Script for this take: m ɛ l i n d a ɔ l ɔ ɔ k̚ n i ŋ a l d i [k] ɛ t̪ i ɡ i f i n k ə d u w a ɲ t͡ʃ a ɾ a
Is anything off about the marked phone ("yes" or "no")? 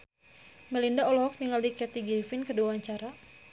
no